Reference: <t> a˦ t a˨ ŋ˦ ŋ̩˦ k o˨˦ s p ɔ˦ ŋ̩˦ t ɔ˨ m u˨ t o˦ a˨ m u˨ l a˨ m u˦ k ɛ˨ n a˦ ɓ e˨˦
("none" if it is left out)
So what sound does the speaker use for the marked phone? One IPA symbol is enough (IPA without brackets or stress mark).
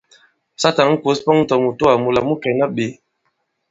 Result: s